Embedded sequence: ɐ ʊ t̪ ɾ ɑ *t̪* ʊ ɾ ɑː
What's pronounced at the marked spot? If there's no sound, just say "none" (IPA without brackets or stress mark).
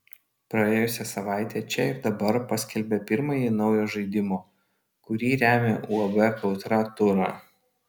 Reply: t̪